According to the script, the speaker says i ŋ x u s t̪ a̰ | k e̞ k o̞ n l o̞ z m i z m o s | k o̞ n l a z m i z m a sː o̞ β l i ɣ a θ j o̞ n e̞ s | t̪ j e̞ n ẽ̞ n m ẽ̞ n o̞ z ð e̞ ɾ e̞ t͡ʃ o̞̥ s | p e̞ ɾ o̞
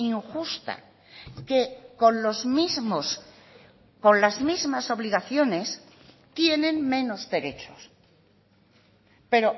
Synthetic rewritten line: i ŋ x u s t̪ a̰ | k e̞ k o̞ n l o̞ z m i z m o s | k o̞ n l a z m i z m a s o̞ β l i ɣ a θ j o̞ n e̞ s | t̪ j e̞ n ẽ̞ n m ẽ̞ n o̞ z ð e̞ ɾ e̞ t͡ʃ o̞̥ s | p e̞ ɾ o̞